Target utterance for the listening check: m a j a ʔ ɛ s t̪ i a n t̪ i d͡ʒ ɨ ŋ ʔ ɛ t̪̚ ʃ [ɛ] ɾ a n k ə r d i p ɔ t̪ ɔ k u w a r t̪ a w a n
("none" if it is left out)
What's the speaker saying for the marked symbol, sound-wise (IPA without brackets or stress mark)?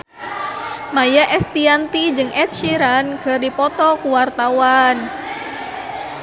i